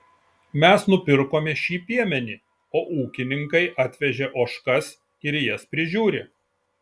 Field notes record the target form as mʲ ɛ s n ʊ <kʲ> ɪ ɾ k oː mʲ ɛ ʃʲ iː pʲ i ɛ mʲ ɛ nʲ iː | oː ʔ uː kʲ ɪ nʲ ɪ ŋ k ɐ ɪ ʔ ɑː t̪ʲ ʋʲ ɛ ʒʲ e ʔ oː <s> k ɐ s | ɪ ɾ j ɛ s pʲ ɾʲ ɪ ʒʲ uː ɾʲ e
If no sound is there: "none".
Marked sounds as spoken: pʲ, ʃ

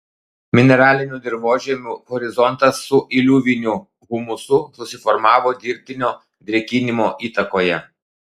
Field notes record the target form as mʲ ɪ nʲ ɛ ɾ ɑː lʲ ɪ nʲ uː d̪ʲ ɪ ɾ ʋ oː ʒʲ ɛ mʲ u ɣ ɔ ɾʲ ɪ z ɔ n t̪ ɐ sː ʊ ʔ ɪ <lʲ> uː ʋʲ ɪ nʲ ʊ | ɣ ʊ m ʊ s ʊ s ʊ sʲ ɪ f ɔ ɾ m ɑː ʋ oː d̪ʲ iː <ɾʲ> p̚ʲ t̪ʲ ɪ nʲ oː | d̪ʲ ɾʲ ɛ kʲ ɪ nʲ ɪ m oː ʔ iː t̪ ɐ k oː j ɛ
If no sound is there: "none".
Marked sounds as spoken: lʲ, ɾʲ

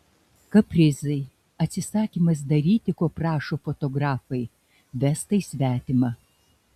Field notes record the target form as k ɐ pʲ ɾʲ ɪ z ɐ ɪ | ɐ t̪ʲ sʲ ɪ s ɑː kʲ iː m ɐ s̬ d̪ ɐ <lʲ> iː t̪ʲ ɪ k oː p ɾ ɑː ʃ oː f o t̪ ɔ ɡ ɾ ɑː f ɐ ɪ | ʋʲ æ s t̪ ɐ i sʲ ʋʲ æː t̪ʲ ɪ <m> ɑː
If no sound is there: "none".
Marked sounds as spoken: ɾʲ, m

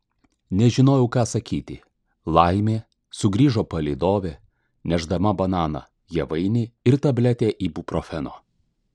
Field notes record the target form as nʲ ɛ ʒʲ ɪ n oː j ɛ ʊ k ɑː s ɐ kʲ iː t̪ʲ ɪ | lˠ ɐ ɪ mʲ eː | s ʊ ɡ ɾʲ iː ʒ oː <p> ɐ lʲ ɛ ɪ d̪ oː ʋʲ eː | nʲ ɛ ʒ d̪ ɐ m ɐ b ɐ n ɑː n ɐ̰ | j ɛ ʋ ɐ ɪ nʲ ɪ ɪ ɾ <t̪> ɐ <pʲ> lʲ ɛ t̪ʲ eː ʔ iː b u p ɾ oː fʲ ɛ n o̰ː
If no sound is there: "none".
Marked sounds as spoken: p, t̪, bʲ

